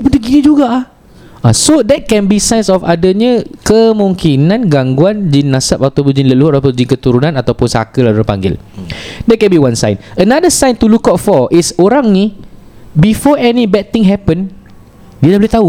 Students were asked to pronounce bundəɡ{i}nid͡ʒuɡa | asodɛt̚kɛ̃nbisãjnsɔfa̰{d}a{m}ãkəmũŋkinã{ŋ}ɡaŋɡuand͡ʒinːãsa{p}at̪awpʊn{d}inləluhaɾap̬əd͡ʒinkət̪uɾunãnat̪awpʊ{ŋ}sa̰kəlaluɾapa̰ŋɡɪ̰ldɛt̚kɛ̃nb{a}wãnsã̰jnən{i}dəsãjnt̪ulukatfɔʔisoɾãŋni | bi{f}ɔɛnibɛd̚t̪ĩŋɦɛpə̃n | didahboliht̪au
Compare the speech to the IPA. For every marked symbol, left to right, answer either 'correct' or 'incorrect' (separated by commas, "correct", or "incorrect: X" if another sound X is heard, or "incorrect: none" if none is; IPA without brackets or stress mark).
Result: correct, correct, incorrect: ɲ, incorrect: n, correct, incorrect: d͡ʒ, incorrect: n, incorrect: i, incorrect: a, correct